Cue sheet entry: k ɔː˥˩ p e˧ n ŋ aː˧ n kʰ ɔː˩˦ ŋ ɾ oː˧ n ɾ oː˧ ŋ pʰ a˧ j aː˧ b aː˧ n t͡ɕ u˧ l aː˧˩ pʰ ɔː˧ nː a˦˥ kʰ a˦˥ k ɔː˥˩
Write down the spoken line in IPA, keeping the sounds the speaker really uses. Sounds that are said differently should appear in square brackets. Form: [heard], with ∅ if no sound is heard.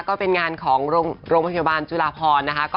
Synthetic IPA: k ɔː˥˩ p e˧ n ŋ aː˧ n kʰ ɔː˩˦ ŋ ɾ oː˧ [ŋ] ɾ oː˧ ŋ pʰ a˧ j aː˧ b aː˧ n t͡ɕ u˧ l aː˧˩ pʰ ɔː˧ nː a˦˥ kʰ a˦˥ k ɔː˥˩